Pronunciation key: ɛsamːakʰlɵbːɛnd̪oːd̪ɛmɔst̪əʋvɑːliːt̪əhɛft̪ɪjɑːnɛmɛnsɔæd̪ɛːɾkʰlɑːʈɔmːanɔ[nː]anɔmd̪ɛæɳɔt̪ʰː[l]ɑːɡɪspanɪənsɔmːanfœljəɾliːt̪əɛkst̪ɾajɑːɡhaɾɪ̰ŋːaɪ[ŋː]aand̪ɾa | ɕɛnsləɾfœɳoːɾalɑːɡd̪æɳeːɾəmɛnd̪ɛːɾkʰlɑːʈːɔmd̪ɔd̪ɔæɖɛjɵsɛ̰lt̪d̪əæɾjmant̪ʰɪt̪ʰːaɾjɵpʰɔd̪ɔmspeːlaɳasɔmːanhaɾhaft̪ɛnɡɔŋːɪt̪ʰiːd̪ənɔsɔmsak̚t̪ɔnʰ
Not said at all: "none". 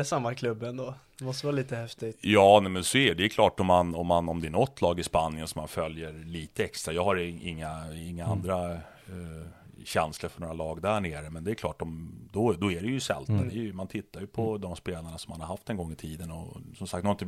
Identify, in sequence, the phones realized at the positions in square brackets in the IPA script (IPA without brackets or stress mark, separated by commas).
mː, l, ŋː